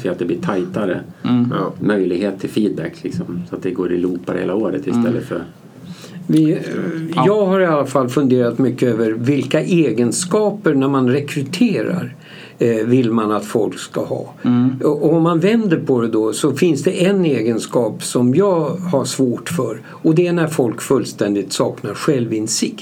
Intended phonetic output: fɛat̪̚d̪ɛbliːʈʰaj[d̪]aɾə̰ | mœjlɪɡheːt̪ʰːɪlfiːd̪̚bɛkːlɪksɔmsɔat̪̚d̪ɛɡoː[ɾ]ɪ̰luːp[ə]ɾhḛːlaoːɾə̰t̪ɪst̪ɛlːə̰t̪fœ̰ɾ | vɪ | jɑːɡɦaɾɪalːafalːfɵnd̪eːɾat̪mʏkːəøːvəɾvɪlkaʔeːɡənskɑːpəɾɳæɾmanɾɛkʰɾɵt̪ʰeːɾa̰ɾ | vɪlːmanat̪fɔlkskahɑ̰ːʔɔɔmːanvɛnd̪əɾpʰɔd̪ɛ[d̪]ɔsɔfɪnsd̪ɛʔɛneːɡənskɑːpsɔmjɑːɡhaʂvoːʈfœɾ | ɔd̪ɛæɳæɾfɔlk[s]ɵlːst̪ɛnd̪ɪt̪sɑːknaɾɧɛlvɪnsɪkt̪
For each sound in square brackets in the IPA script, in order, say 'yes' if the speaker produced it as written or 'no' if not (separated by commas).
no, yes, no, yes, no